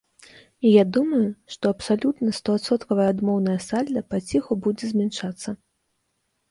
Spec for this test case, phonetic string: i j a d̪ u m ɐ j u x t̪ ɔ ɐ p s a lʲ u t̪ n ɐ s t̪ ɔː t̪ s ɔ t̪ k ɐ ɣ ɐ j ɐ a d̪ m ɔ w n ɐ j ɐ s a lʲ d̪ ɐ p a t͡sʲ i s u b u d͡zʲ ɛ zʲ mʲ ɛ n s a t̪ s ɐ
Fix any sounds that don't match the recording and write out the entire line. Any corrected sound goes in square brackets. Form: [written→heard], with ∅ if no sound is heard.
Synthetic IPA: i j a d̪ u m ɐ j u [x→ʂ] t̪ ɔ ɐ p s a lʲ u t̪ n ɐ s t̪ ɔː t̪ s ɔ t̪ k ɐ [ɣ→v] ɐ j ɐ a d̪ m ɔ w n ɐ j ɐ s a lʲ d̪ ɐ p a t͡sʲ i [s→x] u b u d͡zʲ ɛ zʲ mʲ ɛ n [s→ʂ] a t̪ [s→sː] ɐ